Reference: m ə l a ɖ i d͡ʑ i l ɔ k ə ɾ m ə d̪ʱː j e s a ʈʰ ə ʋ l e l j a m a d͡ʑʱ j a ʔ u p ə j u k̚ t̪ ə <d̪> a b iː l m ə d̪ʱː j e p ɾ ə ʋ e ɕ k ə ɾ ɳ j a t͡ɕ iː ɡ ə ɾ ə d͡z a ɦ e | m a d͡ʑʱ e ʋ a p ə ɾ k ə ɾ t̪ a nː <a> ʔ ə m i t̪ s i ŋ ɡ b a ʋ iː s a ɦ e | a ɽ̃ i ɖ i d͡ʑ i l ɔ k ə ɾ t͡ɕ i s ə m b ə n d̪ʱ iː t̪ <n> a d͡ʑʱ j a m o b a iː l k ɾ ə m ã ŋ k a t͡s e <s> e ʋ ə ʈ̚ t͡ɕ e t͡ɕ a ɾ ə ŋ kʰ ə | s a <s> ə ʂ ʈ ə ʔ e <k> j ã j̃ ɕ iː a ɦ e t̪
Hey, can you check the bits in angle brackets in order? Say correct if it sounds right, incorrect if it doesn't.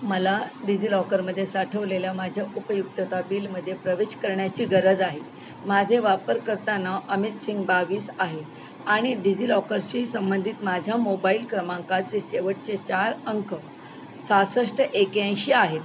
incorrect: t̪, correct, incorrect: m, correct, correct, correct

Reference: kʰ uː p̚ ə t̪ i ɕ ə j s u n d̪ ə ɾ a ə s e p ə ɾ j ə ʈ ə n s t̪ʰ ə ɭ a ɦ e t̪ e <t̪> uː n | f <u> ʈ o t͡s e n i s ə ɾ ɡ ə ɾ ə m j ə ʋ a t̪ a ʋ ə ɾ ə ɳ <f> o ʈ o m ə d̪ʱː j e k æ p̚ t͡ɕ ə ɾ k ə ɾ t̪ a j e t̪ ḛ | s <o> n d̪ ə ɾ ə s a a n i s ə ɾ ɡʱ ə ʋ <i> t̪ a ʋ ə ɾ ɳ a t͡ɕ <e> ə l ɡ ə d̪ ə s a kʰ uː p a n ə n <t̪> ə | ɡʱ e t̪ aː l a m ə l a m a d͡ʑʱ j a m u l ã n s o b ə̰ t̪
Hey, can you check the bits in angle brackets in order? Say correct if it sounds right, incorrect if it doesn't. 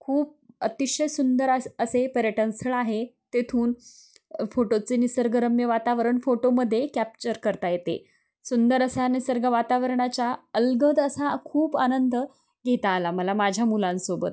incorrect: t̪ʰ, incorrect: o, correct, incorrect: u, incorrect: a, incorrect: a, incorrect: d̪

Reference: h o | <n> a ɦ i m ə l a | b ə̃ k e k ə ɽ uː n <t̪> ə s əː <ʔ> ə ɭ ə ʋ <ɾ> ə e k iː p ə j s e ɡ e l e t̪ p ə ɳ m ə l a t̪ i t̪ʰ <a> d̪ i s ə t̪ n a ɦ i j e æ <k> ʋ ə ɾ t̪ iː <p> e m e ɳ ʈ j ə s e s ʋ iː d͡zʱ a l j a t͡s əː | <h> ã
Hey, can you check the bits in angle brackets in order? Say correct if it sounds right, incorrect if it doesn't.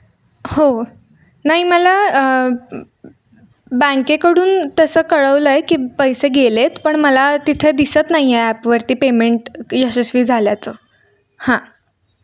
correct, correct, incorrect: k, incorrect: l, incorrect: e, incorrect: p, correct, correct

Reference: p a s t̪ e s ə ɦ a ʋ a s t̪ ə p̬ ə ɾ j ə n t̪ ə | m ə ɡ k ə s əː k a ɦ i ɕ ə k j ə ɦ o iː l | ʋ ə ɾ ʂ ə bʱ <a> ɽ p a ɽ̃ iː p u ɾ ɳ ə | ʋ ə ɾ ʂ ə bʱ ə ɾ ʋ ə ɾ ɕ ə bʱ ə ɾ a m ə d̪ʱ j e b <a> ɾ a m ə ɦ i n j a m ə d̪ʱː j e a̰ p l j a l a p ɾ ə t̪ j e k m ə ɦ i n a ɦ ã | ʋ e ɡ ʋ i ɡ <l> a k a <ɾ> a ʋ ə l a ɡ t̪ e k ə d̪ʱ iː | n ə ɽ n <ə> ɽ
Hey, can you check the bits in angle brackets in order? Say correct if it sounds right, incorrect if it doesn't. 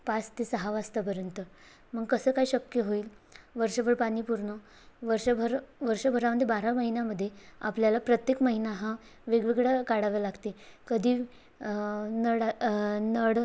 incorrect: ə, correct, incorrect: ɽ, incorrect: ɽ, correct

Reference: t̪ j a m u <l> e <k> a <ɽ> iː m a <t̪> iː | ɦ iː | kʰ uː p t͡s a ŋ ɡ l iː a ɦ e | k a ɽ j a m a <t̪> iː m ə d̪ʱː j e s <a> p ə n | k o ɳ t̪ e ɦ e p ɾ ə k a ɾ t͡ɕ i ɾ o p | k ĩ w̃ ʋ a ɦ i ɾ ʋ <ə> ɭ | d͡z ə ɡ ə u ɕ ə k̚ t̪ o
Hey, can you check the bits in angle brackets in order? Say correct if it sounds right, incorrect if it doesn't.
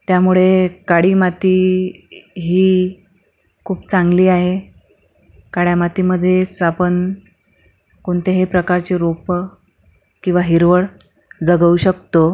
incorrect: ɭ, correct, correct, correct, correct, correct, correct

